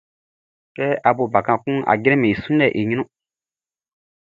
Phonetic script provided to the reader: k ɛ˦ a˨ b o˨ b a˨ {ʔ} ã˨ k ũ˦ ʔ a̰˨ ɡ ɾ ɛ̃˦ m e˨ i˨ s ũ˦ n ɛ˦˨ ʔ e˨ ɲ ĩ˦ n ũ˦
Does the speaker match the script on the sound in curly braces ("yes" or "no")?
no